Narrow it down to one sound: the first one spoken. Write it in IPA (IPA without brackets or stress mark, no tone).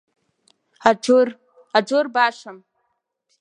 a